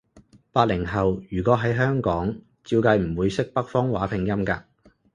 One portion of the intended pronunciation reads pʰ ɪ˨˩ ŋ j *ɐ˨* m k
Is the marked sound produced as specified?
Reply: no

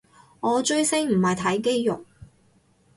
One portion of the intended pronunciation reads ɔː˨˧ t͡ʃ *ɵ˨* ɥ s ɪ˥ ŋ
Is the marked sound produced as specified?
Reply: no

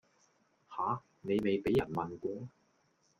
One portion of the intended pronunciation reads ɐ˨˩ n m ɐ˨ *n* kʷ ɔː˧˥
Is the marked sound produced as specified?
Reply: yes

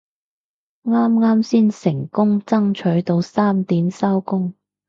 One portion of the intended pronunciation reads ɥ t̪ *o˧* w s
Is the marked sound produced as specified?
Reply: yes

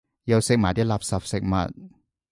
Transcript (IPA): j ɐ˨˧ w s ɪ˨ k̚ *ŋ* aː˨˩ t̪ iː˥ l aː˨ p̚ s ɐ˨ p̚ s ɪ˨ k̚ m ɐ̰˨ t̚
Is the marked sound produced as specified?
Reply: no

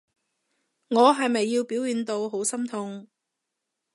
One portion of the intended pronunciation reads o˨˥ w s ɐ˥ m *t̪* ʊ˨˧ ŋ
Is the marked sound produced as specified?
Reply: no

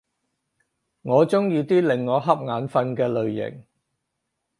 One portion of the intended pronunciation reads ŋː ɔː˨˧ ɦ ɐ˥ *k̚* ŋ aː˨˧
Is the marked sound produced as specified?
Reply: no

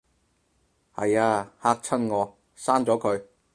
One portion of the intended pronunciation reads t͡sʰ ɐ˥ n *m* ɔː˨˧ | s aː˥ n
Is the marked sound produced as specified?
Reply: no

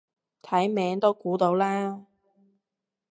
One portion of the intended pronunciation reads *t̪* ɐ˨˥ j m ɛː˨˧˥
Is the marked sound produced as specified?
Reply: no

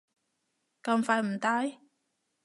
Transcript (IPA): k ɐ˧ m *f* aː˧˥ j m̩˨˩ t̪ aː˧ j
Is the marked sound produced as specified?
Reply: yes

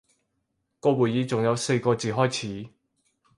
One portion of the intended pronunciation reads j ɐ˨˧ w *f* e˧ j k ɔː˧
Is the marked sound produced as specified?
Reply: no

